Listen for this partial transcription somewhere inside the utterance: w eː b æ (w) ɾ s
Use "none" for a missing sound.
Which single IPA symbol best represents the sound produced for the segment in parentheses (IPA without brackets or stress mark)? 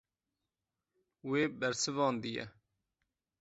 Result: none